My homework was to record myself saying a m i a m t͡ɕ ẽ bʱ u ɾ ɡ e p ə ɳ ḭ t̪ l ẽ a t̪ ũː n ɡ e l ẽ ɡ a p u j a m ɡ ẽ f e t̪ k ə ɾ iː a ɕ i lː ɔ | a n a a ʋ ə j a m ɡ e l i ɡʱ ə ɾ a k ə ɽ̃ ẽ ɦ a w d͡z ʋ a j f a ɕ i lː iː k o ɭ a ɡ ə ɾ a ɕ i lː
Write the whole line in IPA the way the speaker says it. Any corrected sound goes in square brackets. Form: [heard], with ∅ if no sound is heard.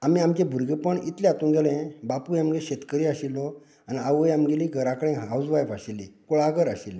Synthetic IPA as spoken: a m i a m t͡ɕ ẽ bʱ u ɾ ɡ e p ə ɳ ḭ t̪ l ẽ a t̪ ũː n ɡ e l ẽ [b] a p u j a m ɡ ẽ [ɕ] e t̪ k ə ɾ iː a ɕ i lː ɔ | a n [i] a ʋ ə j a m ɡ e l i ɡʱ ə ɾ a k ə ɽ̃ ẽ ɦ a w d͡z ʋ a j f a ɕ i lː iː k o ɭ a ɡ ə ɾ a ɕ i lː